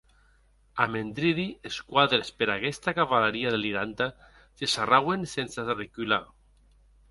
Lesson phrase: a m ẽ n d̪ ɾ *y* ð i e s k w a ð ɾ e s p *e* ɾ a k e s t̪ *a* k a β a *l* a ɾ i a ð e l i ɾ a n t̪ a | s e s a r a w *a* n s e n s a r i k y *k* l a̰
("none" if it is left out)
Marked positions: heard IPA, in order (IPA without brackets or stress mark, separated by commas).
i, e, a, l, e, none